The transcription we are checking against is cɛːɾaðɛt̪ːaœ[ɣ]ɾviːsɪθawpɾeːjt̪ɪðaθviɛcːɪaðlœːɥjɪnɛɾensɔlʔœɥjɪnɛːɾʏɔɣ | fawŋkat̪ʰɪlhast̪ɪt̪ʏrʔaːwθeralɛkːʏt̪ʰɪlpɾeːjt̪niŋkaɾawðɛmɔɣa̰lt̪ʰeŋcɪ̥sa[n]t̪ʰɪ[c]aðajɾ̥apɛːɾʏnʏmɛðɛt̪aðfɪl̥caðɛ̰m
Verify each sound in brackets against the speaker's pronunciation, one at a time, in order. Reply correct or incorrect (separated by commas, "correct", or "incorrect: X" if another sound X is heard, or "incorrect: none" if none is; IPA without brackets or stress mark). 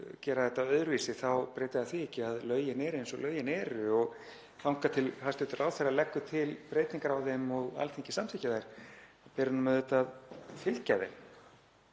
incorrect: ð, incorrect: m, correct